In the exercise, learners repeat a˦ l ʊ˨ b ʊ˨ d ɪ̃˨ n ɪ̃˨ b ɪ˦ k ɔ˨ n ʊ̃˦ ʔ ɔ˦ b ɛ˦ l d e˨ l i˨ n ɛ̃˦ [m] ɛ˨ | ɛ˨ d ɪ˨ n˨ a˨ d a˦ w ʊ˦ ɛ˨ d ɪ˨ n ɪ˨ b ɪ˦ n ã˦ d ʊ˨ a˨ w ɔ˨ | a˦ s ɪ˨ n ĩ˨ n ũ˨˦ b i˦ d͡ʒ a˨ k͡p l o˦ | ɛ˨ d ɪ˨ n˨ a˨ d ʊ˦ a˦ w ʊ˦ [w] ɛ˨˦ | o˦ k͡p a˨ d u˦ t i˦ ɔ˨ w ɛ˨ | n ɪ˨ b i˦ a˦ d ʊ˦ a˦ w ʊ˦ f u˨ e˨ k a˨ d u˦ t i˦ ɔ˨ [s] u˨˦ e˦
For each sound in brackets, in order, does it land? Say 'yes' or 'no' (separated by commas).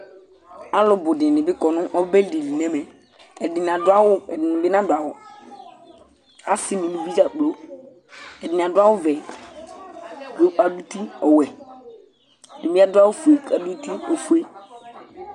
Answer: yes, no, no